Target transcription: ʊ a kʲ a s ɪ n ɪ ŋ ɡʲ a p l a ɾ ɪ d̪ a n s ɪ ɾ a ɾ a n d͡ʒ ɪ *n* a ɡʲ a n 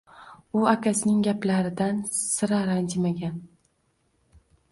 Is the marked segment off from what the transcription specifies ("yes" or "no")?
yes